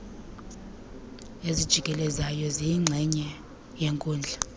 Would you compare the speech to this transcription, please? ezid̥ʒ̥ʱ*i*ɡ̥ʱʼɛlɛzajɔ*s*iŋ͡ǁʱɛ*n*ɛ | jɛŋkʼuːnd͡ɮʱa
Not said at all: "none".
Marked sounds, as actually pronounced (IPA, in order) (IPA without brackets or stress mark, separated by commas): i, z, ɲ